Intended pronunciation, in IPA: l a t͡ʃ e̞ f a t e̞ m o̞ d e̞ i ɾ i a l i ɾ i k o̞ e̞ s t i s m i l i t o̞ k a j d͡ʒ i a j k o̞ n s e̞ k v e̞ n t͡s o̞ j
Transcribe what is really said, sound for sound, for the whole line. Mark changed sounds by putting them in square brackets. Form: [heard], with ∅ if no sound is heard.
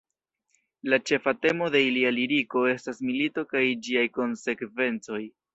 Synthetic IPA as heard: l a t͡ʃ e̞ f a t e̞ m o̞ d e̞ i [l] i a l i ɾ i k o̞ e̞ s t [a] s m i l i t o̞ k a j d͡ʒ i a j k o̞ n s e̞ k v e̞ n t͡s o̞ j